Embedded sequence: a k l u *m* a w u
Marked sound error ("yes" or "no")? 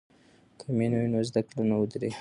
yes